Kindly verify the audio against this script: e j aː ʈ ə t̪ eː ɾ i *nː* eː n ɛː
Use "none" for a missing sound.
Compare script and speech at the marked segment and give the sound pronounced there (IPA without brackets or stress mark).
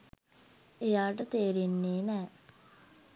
nː